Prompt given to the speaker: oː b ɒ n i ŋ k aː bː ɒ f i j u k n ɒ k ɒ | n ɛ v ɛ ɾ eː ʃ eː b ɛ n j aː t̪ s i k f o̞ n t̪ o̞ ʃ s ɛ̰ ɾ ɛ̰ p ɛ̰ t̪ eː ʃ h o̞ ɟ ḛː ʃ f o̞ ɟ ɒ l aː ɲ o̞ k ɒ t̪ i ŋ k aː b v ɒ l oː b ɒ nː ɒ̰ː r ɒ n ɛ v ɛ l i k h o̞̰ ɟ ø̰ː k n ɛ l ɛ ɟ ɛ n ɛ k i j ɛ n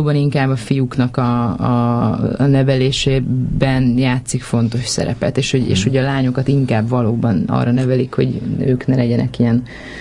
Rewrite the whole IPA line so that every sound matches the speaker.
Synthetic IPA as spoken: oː b ɒ n i ŋ k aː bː ɒ f i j u k n ɒ k ɒ | n ɛ v ɛ l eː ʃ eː b ɛ n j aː t̪ s i k f o̞ n t̪ o̞ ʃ s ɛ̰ ɾ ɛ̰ p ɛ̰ t̪ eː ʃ h o̞ ɟ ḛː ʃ h o̞ ɟ ɒ l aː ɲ o̞ k ɒ t̪ i ŋ k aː b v ɒ l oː b ɒ n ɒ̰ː r ɒ n ɛ v ɛ l i k h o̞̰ ɟ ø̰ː k n ɛ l ɛ ɟ ɛ n ɛ k i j ɛ n